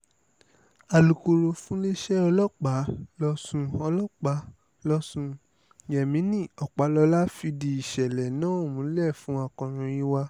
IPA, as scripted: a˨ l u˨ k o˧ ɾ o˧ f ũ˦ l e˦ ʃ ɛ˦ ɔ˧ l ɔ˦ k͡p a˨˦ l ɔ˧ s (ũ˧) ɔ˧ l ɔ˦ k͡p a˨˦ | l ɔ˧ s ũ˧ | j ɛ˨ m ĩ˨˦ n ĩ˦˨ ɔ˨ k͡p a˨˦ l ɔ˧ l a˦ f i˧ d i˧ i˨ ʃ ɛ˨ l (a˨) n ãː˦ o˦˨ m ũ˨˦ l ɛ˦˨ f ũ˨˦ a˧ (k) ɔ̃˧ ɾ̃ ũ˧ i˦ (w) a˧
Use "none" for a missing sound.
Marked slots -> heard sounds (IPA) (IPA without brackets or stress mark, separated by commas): ũ˧, ɛ˨, k, w